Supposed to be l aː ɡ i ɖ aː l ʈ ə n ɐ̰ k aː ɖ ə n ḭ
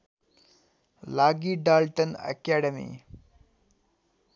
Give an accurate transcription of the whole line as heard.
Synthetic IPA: l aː ɡ i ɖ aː l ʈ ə n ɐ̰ k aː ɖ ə m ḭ